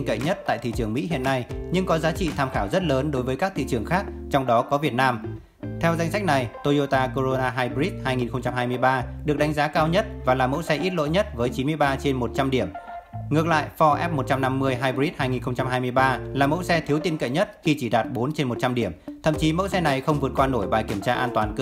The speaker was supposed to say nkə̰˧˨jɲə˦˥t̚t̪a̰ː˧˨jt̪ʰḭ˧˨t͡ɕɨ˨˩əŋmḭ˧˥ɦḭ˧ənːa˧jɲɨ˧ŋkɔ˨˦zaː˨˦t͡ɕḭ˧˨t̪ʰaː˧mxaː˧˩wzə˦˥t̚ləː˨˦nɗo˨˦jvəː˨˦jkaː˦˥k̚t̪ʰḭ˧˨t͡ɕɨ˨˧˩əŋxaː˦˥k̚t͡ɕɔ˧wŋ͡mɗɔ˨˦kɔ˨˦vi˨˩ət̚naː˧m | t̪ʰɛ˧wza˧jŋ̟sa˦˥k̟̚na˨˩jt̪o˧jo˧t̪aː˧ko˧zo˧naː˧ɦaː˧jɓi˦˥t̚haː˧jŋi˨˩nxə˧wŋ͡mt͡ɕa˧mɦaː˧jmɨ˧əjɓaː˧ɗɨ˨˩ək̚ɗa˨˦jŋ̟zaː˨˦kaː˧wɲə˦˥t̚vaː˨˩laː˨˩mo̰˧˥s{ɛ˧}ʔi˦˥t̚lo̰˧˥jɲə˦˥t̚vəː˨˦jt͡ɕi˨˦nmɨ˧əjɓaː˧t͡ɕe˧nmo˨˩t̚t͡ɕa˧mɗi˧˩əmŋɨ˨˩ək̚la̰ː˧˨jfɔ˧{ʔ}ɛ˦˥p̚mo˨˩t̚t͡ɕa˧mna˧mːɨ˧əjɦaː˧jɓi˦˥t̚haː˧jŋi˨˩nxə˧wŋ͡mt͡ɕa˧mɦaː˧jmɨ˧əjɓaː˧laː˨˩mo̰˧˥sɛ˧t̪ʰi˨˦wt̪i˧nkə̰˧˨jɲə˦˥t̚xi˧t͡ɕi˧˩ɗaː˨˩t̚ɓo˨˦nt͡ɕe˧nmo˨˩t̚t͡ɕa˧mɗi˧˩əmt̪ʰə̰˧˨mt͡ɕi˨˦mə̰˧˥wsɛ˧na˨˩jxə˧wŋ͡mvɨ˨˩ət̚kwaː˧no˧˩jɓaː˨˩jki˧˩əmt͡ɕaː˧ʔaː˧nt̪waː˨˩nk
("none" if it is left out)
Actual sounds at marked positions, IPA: ɛ˧, ʔ

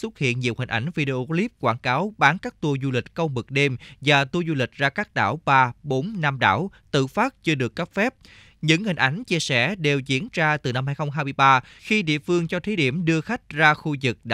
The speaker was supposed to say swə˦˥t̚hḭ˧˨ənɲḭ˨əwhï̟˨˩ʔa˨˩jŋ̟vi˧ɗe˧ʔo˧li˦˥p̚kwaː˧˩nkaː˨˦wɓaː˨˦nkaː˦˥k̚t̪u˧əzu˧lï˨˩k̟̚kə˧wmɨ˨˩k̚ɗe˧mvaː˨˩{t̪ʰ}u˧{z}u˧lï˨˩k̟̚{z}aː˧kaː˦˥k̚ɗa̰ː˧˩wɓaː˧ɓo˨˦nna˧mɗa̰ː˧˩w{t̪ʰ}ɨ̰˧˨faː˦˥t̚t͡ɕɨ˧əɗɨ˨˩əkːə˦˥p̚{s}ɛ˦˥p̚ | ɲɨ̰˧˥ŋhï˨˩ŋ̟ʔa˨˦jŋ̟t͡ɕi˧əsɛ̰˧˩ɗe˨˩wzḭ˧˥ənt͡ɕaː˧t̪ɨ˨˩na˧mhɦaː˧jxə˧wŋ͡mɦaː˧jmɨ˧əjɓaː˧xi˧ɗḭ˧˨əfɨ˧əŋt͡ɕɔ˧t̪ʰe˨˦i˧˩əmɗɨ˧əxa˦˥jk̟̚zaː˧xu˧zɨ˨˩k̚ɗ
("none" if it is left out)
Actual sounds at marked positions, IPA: t̪, z, z, t̪, f

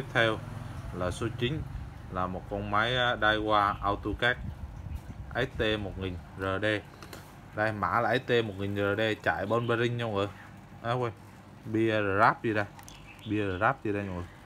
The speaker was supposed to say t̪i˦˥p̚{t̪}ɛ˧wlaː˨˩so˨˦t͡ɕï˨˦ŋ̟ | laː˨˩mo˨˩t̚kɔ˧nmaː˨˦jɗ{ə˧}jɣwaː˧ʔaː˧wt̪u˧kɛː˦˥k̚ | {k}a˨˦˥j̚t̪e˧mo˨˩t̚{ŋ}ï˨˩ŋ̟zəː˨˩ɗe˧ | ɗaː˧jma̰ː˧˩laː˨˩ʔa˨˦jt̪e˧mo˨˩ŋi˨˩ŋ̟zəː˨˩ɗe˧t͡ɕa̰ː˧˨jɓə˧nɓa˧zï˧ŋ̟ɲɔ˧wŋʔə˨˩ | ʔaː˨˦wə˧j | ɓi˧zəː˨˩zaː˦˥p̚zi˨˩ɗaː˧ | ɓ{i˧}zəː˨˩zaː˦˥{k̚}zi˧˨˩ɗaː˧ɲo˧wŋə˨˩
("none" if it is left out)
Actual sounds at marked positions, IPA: t̪ʰ, a˧, ʔ, ŋ, i˧, p̚

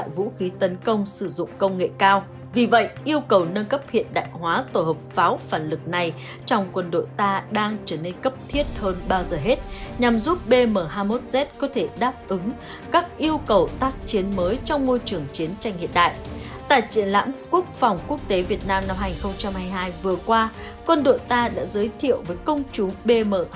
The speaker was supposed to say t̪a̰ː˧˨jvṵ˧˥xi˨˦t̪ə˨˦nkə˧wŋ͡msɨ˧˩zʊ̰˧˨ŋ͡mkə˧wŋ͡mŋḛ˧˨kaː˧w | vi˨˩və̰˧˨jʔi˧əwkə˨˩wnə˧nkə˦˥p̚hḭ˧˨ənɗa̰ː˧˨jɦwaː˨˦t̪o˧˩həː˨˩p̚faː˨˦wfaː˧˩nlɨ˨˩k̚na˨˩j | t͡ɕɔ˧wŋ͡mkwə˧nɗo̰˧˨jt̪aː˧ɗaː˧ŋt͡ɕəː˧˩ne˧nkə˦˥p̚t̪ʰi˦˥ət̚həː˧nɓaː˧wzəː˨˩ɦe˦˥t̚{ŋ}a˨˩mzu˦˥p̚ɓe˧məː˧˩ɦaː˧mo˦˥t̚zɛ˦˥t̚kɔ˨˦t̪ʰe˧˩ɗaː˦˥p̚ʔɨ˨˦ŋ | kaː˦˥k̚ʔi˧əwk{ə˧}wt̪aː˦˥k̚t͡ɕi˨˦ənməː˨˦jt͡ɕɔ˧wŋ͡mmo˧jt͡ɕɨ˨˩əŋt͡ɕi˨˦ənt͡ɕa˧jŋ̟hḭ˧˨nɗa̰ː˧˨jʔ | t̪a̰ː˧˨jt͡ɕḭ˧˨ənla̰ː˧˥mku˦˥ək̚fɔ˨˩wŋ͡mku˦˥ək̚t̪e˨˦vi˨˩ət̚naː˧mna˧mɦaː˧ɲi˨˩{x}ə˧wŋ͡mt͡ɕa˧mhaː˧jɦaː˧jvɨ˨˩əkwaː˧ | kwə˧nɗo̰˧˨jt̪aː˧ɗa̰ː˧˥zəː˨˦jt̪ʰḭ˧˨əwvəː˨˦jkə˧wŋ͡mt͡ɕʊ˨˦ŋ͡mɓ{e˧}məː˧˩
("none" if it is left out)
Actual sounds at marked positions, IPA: ɲ, ə˨˩, x, e˧

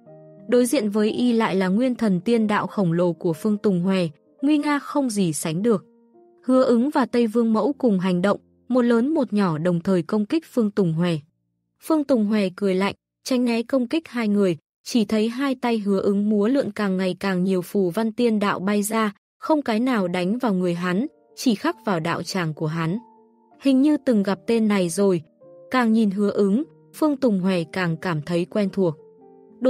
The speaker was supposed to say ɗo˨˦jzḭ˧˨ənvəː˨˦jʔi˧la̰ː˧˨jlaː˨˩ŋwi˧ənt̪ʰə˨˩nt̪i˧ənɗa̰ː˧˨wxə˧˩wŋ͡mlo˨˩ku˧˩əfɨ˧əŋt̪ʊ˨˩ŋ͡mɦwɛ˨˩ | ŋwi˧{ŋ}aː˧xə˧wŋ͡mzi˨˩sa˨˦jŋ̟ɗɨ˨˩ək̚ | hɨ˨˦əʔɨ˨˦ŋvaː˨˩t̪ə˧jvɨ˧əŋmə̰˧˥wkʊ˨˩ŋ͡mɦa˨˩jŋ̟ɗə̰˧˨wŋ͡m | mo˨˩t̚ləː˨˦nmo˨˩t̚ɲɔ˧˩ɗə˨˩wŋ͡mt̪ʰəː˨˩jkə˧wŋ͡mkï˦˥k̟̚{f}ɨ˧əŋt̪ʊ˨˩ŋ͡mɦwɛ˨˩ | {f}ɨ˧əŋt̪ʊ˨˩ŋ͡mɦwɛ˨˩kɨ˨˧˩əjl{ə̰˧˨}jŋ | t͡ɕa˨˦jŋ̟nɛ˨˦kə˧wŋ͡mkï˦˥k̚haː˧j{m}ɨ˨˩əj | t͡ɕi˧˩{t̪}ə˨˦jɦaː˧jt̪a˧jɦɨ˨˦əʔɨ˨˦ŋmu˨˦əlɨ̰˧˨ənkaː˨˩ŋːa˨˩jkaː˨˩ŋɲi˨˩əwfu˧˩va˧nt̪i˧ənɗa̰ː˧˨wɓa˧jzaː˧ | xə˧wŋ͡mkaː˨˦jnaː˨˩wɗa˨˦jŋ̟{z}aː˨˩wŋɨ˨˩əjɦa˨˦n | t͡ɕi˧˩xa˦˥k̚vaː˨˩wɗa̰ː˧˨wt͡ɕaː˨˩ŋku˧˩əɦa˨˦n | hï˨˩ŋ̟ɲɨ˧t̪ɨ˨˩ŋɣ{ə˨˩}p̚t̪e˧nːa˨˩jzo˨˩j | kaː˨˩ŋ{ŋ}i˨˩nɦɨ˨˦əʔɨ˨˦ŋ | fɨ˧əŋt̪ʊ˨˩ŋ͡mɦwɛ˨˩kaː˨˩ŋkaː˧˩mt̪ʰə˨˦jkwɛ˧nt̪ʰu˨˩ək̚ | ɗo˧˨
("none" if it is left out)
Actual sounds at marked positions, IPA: ŋ, f, f, a̰˧˨, ŋ, t̪ʰ, v, a˨˩, ɲ

